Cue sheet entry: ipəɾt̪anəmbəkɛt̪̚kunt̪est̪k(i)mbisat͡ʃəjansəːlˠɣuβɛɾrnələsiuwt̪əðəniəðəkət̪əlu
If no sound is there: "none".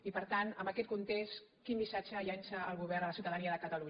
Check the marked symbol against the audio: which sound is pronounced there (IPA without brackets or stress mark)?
i